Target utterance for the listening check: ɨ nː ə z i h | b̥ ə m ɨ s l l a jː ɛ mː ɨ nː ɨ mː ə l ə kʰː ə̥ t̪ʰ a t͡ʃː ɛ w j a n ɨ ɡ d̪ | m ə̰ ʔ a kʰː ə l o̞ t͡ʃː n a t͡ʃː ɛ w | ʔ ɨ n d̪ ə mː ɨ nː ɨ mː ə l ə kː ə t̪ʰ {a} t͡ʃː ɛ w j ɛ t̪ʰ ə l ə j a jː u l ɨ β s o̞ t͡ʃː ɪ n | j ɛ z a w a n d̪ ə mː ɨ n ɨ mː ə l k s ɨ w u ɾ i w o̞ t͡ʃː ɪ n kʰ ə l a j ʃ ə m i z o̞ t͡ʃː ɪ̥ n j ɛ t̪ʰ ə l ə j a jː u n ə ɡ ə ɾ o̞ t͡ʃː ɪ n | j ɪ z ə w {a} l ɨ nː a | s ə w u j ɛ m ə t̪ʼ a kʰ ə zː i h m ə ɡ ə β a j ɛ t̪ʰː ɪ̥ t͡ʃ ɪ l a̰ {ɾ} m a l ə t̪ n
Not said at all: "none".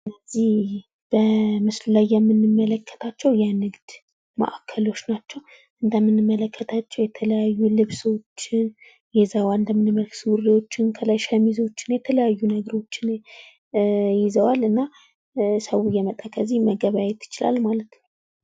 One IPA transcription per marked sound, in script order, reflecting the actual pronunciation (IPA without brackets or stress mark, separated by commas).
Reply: a, a, l